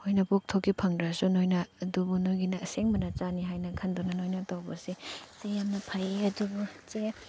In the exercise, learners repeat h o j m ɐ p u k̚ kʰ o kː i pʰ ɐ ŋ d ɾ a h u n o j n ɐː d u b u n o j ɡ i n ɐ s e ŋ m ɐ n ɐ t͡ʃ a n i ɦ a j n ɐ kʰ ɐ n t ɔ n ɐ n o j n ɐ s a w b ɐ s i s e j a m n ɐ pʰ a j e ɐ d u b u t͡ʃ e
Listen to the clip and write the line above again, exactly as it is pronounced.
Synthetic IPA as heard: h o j n ɐ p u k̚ tʰ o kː i pʰ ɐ ŋ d ɾ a s u n o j n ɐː d u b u n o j ɡ i n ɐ s e ŋ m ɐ n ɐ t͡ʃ a n i ɦ a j n ɐ kʰ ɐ n d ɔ n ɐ n o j n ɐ t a w b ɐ s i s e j a m n ɐ pʰ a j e ɐ d u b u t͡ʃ e